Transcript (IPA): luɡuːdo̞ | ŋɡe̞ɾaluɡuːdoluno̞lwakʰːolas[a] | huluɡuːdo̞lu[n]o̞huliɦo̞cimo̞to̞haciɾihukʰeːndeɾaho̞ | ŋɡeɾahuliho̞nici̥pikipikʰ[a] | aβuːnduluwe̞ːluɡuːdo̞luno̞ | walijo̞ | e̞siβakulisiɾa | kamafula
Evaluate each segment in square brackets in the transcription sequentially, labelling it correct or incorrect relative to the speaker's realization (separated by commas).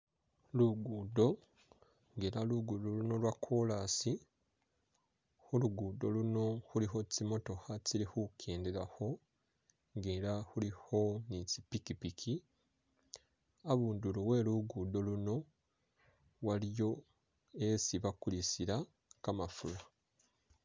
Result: incorrect, correct, incorrect